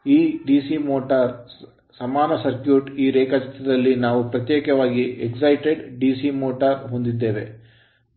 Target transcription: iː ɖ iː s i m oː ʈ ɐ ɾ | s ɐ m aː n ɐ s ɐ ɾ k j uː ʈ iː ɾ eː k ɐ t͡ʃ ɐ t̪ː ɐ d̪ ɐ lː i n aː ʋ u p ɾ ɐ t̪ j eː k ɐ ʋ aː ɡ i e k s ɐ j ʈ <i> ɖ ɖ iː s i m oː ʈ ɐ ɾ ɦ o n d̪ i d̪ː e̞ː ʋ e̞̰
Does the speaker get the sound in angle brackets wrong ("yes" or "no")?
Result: yes